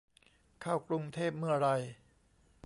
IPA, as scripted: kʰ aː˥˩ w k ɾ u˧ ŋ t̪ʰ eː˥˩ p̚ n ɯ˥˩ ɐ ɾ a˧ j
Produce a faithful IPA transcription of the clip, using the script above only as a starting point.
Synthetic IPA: kʰ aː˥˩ w k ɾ u˧ ŋ t̪ʰ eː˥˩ p̚ m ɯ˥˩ ɐ ɾ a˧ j